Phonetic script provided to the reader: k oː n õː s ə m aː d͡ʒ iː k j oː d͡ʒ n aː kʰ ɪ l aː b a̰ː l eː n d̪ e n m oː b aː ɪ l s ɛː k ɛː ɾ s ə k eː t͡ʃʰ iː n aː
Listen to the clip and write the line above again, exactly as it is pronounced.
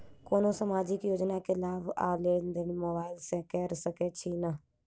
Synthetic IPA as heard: k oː n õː s ə m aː d͡ʒ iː k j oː d͡ʒ n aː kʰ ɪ l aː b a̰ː l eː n d̪ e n m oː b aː ɪ l s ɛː k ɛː ɾ s ə k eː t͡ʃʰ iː n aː